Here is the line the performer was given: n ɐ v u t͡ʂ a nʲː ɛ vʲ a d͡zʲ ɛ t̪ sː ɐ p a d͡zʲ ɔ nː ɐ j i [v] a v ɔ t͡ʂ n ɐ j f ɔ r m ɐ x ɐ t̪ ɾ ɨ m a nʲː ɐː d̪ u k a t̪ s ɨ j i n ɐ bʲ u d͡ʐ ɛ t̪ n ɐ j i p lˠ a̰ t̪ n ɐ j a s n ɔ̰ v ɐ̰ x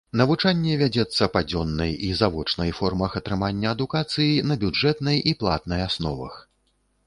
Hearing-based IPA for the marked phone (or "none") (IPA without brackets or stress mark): z